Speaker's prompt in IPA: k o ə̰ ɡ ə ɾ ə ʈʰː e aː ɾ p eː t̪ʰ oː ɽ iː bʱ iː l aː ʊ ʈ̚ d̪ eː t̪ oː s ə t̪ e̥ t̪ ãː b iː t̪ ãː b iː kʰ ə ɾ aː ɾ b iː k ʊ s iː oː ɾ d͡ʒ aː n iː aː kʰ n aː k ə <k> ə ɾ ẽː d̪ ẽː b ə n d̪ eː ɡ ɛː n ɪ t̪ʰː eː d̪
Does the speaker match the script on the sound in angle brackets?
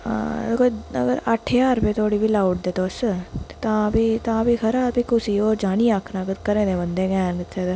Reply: yes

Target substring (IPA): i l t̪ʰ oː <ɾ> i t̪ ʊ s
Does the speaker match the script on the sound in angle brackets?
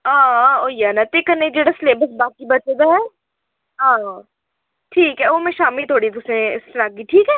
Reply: no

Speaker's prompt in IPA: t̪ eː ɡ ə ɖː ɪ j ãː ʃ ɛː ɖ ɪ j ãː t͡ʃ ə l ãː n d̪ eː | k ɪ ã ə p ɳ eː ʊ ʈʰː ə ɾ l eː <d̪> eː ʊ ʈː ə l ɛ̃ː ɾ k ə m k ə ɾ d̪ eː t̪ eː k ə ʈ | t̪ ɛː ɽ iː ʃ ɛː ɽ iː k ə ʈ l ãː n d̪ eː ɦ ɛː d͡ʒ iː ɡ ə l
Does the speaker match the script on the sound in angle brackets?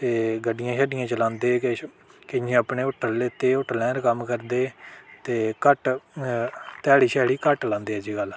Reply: no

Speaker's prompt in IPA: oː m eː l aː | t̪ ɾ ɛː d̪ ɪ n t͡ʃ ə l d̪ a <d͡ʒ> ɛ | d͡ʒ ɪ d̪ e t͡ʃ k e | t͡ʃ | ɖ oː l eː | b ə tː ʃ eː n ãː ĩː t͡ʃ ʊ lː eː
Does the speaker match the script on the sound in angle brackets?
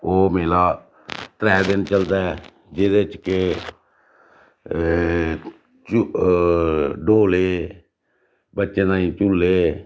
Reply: no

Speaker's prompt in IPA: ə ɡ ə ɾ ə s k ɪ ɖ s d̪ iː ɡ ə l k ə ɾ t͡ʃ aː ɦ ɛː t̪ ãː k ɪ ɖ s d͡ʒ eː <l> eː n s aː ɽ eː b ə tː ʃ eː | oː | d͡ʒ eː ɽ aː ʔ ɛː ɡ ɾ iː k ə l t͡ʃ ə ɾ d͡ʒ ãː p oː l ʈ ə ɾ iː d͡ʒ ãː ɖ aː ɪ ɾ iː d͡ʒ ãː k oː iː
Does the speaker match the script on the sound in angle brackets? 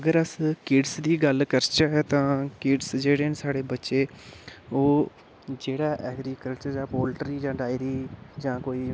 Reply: no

